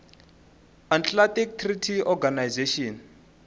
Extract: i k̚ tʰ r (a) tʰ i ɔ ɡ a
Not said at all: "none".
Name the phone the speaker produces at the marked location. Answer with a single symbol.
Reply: i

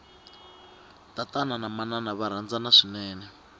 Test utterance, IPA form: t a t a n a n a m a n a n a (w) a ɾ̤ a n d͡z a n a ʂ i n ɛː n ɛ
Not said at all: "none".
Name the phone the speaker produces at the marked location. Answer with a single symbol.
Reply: β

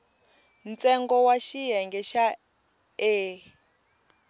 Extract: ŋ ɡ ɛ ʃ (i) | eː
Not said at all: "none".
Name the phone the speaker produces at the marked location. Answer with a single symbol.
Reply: a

